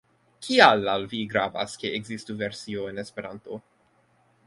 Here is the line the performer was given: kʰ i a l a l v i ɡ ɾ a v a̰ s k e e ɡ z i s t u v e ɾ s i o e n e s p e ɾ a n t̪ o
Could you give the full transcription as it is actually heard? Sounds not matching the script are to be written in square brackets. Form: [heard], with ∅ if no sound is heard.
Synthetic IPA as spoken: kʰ i a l a l v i ɡ ɾ a v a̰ s k e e ɡ z i s t u v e ɾ s i o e n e s p e ɾ a n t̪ o